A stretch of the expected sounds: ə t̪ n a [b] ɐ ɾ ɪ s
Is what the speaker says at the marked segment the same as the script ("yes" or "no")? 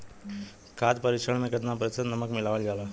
no